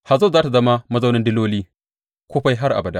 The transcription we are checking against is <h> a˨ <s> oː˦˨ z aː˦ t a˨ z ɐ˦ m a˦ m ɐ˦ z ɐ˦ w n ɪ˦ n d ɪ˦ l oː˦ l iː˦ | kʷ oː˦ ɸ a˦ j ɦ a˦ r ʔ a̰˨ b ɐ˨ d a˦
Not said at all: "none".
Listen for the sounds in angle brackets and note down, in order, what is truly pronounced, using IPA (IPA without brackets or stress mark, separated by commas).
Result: h, z